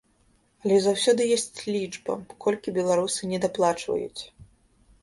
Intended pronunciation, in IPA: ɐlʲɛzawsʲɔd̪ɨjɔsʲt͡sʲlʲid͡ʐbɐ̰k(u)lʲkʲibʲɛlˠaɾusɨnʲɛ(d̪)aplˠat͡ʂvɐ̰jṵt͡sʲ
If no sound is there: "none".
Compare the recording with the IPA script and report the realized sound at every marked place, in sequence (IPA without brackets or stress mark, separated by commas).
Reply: ɔ, d̪